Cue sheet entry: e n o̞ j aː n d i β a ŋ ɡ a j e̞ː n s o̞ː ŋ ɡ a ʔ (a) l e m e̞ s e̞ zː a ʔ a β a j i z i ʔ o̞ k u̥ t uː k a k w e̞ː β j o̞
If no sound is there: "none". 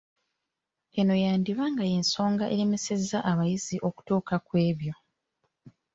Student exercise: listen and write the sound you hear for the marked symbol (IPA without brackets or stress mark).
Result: e